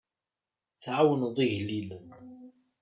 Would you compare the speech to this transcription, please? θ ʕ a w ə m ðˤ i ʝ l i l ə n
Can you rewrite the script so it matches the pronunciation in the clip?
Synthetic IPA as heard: θ ʕ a w ə n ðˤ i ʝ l i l ə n